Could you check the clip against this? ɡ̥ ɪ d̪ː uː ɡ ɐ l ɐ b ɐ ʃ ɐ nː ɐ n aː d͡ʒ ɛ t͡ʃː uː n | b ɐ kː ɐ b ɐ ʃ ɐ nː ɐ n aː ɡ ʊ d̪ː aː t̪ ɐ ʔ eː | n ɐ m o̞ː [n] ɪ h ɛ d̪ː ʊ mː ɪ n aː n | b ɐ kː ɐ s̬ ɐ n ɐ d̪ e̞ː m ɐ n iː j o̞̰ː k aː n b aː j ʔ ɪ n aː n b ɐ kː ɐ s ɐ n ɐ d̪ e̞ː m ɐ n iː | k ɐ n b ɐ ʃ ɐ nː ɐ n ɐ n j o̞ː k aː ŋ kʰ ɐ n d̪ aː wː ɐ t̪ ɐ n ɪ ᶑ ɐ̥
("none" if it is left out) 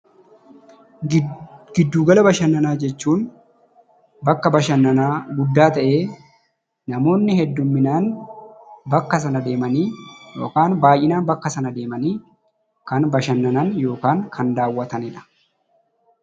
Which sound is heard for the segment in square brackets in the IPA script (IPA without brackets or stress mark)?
nː